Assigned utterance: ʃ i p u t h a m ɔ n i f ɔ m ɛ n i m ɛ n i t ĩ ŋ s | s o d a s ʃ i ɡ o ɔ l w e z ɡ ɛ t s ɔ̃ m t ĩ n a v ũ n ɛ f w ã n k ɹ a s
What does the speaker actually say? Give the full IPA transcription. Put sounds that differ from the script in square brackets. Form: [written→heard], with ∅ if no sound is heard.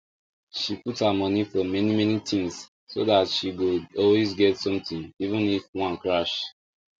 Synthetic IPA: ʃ i p u t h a m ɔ n i f ɔ m ɛ n i m ɛ n i t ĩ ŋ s | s o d a [s→t] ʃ i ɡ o ɔ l w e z ɡ ɛ t s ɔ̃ m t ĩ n [a→i] v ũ n [ɛ→i] f w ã n k ɹ a [s→ʃ]

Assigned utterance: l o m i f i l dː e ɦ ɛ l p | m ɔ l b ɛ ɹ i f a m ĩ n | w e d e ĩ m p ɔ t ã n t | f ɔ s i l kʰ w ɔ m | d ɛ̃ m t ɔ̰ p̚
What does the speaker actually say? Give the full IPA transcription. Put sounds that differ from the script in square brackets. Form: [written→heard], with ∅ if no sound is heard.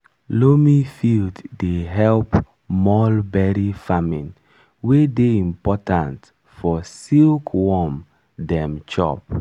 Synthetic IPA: l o m i f i l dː e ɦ ɛ l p | m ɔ l b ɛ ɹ i f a m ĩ n | w e d e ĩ m p ɔ t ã n t | f ɔ s i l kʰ w ɔ m | d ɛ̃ m [t→t͡ʃ] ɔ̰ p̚

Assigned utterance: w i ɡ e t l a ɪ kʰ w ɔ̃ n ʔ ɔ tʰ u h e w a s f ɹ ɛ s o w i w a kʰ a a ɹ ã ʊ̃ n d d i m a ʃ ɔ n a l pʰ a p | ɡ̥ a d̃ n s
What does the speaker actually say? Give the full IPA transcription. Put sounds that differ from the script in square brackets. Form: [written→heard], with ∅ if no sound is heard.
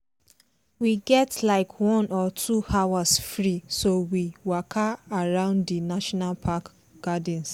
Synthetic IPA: w i ɡ [e→ɛ] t l a ɪ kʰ w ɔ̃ n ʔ ɔ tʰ u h [e→a] w a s f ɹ [ɛ→i] s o w i w a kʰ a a ɹ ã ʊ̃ n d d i [m→n] a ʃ ɔ n a l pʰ a [p→k] | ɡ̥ a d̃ n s

